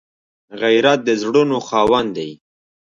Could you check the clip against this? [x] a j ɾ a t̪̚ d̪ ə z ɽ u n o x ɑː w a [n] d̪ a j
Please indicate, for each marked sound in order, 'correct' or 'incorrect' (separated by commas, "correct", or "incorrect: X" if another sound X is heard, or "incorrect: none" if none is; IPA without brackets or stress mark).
incorrect: ɣ, correct